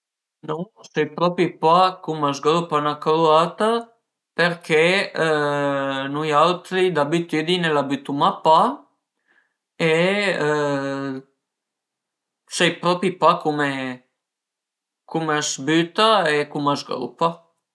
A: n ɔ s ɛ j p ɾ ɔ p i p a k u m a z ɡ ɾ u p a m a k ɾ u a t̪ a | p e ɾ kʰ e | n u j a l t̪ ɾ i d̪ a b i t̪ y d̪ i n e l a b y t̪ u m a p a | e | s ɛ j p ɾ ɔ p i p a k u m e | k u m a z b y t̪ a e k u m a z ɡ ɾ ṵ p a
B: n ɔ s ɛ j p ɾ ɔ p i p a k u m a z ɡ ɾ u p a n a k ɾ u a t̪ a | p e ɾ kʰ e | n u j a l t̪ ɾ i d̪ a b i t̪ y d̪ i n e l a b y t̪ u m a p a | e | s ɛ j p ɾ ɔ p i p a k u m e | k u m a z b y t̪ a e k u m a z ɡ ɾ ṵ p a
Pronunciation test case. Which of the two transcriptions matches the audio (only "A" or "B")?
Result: B